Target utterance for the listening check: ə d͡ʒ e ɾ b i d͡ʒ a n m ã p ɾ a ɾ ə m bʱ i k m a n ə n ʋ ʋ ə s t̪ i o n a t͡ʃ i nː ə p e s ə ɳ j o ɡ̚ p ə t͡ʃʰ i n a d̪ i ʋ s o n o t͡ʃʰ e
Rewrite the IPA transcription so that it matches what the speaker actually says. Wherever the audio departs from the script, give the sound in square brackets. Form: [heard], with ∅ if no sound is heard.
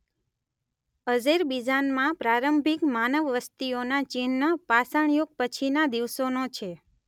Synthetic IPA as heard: ə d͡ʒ e ɾ b i d͡ʒ a n m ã p ɾ a ɾ ə m bʱ i k m a n ə [∅] ʋ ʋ ə s t̪ i o n a t͡ʃ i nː ə p [a] s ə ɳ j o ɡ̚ p ə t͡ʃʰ i n a d̪ i ʋ s o n o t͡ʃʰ e